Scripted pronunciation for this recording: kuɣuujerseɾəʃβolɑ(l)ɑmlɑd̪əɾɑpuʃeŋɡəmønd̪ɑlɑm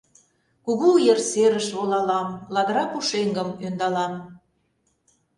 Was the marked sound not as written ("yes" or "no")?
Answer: no